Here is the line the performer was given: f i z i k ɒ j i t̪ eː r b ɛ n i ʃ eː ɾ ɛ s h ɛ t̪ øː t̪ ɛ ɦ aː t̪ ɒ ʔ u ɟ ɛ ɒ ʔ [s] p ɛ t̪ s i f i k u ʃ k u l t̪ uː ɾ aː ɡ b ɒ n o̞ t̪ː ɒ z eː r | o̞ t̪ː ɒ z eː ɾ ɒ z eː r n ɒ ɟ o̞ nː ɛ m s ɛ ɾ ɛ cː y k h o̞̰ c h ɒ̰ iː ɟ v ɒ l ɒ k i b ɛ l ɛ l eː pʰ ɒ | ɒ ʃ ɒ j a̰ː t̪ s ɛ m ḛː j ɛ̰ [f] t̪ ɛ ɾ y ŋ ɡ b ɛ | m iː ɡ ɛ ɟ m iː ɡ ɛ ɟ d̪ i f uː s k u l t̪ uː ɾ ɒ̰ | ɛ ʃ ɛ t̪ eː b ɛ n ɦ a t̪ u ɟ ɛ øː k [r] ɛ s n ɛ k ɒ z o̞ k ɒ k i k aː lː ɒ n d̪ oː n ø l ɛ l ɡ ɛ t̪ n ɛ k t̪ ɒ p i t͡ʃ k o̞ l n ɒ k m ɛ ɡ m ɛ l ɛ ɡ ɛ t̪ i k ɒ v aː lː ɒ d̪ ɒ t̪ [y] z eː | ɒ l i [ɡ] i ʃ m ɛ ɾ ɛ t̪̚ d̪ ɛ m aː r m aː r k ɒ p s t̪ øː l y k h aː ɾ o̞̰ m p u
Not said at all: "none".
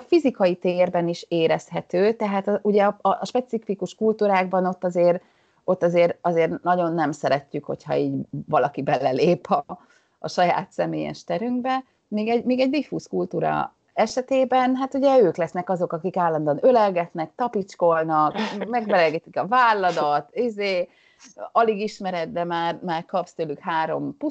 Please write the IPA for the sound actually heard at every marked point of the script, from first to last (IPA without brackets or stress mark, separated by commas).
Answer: ʃ, ʃ, l, i, ɡ